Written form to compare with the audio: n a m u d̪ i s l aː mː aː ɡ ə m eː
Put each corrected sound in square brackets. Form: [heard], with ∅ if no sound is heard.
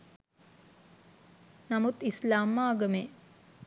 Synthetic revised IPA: n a m u [t̪] i s l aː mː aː ɡ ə m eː